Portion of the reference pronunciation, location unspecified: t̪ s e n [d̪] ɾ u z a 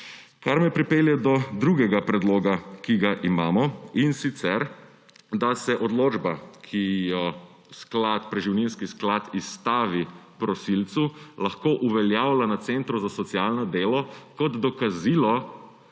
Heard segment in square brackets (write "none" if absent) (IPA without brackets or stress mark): t̪